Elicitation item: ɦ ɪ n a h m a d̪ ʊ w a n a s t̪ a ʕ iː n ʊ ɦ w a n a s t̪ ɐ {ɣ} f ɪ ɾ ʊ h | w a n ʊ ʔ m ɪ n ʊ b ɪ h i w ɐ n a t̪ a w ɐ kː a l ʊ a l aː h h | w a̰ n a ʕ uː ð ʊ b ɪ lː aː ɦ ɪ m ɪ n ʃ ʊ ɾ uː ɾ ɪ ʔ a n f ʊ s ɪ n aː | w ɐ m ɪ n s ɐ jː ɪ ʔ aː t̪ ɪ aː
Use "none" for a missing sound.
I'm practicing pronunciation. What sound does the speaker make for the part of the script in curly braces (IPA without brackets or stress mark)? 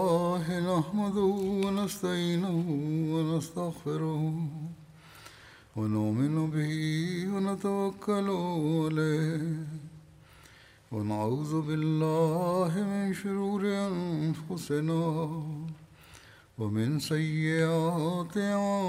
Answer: ɣ